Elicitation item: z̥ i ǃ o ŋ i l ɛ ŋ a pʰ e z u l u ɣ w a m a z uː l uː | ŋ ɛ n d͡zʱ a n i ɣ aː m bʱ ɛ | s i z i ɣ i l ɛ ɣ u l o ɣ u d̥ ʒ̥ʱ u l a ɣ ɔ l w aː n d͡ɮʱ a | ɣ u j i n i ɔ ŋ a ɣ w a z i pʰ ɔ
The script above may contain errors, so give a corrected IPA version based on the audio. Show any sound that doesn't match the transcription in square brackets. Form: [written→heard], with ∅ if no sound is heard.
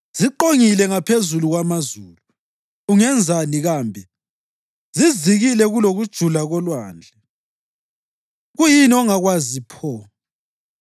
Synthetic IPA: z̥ i ǃ o ŋ i l ɛ ŋ a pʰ e z u l u ɣ w a m a z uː l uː | ŋ ɛ n d͡zʱ a n i ɣ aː m bʱ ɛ | [s→z] i z i ɣ i l ɛ ɣ u l o ɣ u d̥ ʒ̥ʱ u l a ɣ ɔ l w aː n d͡ɮʱ [a→ɛ] | ɣ u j i n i ɔ ŋ a ɣ w a z i pʰ ɔ